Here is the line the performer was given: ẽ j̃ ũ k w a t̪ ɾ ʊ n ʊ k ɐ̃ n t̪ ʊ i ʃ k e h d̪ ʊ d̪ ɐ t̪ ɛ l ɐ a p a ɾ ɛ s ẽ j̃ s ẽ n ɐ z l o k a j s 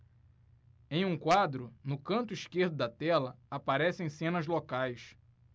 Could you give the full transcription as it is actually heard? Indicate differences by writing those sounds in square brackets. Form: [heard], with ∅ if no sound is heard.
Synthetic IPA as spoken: ẽ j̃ ũ k w a [d̪] ɾ ʊ n ʊ k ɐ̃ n t̪ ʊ i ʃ k e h d̪ ʊ d̪ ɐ t̪ ɛ l ɐ a p a ɾ ɛ s ẽ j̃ s ẽ n ɐ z l o k a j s